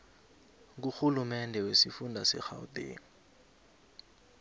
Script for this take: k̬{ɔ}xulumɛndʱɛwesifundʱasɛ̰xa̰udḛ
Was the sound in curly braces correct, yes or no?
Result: no